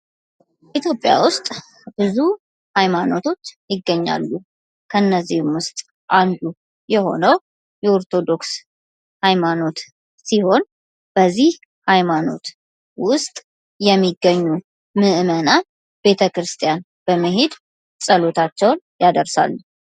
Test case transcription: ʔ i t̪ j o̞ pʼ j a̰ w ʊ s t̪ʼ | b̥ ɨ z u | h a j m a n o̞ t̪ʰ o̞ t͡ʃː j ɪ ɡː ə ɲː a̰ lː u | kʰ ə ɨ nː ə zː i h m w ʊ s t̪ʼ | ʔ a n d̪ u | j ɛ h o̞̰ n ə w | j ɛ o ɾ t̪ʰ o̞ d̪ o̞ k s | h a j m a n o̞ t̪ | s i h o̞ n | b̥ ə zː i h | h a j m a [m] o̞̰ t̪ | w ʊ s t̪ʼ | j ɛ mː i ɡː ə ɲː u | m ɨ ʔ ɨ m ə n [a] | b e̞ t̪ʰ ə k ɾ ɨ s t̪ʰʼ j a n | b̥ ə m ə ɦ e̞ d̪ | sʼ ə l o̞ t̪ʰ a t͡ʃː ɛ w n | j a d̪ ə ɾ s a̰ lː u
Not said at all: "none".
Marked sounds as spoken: n, a

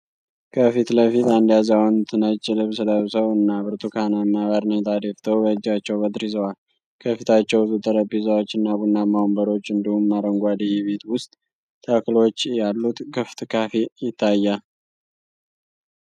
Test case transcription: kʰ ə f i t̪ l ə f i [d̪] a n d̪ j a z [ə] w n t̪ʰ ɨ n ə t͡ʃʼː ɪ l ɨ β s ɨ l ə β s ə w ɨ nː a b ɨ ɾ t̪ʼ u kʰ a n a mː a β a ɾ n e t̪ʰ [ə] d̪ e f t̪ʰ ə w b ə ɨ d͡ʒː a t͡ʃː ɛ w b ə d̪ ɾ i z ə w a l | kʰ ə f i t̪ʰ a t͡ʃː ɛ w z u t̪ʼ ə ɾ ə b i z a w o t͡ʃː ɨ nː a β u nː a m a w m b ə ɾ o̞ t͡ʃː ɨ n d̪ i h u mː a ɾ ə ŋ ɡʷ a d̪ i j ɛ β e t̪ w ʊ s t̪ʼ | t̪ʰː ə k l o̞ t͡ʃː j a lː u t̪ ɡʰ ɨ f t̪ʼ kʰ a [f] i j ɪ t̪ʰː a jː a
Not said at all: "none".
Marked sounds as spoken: t̪, a, a, f

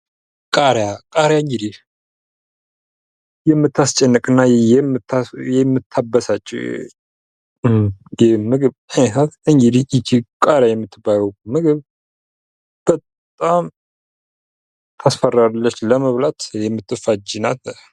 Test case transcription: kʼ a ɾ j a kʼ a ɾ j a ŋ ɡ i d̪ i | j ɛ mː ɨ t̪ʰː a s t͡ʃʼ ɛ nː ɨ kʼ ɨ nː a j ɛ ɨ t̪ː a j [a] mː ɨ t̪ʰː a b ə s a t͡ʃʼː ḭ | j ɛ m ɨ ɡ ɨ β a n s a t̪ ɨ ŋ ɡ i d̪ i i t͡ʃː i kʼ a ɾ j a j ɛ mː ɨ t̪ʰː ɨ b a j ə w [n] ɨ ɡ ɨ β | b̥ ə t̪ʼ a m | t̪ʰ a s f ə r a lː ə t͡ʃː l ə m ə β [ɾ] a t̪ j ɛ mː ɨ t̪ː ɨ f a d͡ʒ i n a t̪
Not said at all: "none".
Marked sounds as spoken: ɛ, m, l

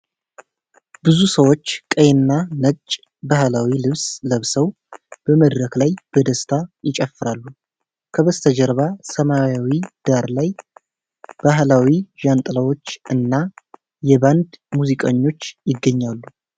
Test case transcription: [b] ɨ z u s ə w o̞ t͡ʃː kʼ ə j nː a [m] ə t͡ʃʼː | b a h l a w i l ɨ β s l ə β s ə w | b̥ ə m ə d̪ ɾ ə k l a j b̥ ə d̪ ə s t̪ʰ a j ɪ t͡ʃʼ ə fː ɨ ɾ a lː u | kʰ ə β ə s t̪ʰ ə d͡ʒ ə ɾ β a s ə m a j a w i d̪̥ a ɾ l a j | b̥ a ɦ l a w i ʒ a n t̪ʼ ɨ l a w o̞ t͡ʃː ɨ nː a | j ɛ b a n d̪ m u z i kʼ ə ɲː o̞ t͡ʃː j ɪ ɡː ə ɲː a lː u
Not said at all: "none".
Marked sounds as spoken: b, n

